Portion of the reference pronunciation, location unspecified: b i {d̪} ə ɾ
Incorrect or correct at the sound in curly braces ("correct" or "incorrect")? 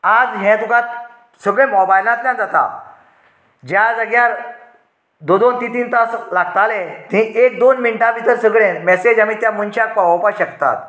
incorrect